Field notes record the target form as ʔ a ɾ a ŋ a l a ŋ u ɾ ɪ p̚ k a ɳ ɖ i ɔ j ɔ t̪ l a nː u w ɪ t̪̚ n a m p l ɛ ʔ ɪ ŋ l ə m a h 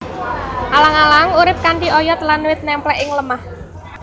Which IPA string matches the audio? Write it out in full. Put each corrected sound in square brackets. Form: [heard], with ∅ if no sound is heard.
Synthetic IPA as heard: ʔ a [l] a ŋ a l a ŋ u ɾ ɪ p̚ k a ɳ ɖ i ɔ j ɔ t̪ l a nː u w ɪ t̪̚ n [ɛ] m p l ɛ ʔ ɪ ŋ l ə m a h